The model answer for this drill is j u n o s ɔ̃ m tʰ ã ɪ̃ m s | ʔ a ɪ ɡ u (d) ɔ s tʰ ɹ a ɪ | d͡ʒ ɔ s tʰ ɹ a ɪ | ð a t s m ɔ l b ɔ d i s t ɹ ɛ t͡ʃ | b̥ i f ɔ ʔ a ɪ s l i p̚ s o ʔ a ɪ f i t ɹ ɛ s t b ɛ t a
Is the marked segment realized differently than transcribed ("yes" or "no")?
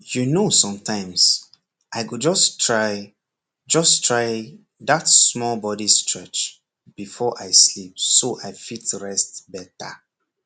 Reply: yes